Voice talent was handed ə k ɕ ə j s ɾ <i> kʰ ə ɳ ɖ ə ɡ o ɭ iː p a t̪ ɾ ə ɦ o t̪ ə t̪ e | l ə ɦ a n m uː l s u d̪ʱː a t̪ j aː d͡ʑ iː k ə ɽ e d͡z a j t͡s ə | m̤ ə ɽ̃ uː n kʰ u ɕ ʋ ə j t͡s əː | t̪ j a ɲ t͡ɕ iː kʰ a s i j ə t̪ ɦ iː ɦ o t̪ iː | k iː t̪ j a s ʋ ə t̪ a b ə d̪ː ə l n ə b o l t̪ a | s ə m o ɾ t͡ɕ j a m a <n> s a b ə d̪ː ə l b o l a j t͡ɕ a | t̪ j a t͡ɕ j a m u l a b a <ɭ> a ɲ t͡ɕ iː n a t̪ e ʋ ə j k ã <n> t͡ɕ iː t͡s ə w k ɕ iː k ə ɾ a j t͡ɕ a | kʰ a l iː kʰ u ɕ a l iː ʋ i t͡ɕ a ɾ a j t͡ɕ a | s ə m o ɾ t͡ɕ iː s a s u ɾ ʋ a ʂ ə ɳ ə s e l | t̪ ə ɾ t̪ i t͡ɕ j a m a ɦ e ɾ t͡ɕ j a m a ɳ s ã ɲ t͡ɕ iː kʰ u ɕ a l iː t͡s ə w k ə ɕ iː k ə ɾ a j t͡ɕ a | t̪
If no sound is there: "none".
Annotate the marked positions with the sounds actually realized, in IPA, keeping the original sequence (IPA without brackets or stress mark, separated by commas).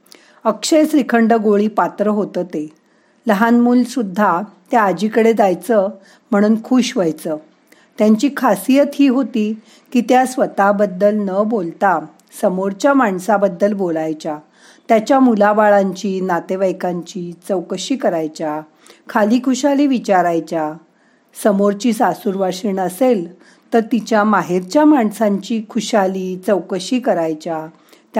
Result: i, ɳ, ɭ, ɲ